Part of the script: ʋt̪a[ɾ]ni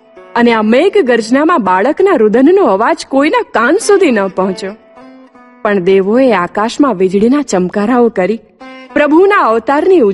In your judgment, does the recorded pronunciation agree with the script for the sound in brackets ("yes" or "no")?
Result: yes